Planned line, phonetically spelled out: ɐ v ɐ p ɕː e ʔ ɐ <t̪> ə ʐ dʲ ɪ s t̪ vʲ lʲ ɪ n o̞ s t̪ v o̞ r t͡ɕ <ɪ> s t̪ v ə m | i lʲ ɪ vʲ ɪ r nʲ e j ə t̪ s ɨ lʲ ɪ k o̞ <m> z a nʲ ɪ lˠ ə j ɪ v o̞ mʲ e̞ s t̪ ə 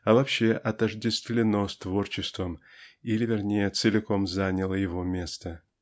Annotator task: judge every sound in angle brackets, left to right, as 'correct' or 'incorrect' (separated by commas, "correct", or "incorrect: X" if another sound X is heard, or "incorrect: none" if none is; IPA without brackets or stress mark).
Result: correct, correct, correct